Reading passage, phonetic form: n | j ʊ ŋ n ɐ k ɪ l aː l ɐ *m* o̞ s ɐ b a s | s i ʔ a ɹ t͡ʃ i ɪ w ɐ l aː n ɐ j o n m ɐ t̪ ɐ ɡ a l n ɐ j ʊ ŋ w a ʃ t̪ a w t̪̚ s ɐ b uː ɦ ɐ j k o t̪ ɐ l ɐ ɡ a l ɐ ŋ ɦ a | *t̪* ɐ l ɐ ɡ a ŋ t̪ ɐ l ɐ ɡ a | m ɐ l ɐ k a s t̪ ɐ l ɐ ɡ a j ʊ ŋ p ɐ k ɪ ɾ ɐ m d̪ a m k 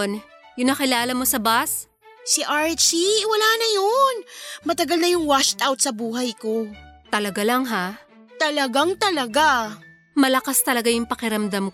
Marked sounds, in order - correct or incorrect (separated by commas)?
correct, correct